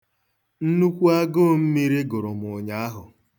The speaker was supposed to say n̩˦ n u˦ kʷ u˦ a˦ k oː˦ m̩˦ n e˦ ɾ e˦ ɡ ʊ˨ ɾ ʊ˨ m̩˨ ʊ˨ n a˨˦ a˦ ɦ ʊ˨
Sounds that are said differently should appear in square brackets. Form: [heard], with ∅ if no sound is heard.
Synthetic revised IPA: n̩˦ n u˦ kʷ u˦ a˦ [ɡ] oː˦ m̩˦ [m] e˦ ɾ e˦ ɡ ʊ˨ ɾ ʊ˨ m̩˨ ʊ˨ [ɲ] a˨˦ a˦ ɦ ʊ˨